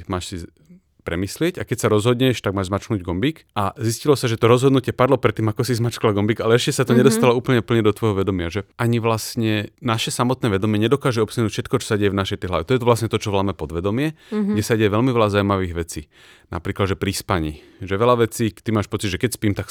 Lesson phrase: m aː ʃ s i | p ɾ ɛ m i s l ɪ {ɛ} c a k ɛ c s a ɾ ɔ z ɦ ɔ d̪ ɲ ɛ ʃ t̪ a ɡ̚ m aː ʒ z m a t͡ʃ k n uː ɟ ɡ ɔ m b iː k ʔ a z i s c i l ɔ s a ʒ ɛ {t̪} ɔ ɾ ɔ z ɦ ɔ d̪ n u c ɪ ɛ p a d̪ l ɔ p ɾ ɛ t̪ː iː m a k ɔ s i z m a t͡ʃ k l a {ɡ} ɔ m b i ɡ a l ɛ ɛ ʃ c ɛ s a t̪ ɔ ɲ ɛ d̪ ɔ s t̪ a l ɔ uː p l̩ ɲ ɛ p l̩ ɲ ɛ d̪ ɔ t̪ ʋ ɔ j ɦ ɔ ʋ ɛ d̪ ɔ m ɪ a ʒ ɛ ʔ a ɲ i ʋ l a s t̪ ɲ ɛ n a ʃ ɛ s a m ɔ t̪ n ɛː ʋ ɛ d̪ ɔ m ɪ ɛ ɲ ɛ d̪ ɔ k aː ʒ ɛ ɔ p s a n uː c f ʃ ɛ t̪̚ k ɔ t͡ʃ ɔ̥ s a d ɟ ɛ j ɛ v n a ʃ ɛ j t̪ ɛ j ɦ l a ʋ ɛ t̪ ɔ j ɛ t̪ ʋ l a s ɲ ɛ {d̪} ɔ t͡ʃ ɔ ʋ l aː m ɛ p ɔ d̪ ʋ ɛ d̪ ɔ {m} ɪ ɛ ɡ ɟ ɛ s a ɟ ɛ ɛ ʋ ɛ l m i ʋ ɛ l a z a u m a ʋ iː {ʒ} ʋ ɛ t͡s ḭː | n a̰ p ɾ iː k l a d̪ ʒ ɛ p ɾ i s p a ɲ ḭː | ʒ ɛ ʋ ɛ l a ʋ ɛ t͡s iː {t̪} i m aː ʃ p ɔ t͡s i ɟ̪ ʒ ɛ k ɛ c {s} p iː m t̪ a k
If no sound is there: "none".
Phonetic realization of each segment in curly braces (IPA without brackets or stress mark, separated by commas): ɛ, t̪, ɡ, t̪, m, ɣ, t̪, s